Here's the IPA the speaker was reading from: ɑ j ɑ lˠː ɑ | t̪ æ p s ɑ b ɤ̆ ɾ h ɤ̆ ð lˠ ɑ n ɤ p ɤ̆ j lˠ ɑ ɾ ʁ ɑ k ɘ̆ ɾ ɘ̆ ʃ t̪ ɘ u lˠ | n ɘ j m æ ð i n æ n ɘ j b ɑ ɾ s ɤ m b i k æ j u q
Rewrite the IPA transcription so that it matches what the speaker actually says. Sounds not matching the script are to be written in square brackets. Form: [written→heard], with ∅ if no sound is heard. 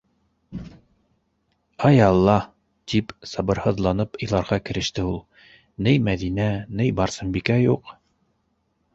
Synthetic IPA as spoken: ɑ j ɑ lˠː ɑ | t̪ [æ→i] p s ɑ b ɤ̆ ɾ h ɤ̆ ð lˠ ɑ n ɤ p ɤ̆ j lˠ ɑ ɾ ʁ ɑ k ɘ̆ ɾ ɘ̆ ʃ t̪ ɘ u lˠ | n ɘ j m æ ð i n æ n ɘ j b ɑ ɾ s ɤ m b i k æ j u q